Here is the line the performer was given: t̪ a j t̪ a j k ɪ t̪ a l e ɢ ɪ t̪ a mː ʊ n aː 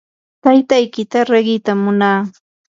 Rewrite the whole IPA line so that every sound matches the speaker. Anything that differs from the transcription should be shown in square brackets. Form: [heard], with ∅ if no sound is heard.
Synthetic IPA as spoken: t̪ a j t̪ a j k ɪ t̪ a [ɾ] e ɢ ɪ t̪ a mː ʊ n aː